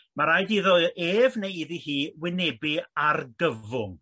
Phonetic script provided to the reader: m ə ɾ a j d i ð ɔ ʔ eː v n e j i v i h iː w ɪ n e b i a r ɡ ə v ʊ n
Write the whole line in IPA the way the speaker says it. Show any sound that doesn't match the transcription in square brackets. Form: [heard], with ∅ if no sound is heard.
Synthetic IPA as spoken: m [a] ɾ a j d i ð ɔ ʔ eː v n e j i [ð] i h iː w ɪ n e b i a r ɡ ə v ʊ [ŋ]